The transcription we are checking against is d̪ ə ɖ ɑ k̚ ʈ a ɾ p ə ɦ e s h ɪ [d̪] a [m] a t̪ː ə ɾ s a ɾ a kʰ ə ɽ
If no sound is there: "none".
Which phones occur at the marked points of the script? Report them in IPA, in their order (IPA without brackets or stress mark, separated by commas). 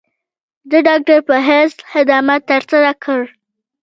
d̪, m